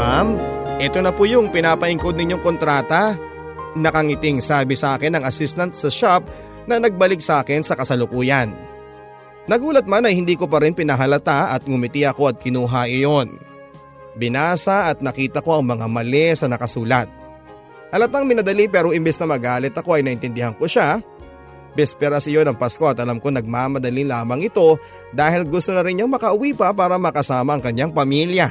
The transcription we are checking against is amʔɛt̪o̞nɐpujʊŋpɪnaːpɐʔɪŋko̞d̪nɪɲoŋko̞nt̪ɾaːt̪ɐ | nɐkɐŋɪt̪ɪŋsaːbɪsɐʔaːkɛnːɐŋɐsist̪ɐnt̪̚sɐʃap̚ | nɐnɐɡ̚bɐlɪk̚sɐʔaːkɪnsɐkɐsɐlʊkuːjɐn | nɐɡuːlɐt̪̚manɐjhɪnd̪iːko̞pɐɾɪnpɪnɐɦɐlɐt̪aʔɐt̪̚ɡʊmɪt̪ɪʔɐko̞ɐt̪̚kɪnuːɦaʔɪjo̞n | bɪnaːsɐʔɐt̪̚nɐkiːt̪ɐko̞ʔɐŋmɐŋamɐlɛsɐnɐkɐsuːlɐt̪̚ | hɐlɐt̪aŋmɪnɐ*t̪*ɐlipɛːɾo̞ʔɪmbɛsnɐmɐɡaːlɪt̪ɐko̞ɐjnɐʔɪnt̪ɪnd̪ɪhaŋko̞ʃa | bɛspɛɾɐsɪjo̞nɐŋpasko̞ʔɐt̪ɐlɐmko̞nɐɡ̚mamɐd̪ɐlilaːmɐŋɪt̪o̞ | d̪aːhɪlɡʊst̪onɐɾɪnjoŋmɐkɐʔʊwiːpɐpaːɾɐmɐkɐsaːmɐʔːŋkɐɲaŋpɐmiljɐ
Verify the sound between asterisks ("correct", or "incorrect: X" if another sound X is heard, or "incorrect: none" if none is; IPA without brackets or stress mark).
incorrect: d̪